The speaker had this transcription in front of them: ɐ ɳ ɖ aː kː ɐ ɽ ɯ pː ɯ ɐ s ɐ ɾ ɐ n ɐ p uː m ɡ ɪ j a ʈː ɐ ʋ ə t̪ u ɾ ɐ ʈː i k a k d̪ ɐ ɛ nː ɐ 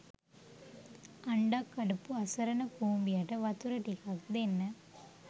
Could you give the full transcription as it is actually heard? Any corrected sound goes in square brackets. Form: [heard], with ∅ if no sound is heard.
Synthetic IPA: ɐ ɳ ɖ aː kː ɐ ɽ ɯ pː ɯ ɐ s ɐ ɾ ɐ n ɐ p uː m [b] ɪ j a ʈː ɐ ʋ [ɐ] t̪ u ɾ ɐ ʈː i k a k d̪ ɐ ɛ nː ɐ